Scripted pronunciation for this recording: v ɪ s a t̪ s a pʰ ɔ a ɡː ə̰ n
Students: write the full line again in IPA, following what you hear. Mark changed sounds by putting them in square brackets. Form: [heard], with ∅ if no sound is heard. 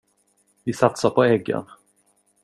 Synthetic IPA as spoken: v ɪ s a t̪ s a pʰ ɔ [ɛ] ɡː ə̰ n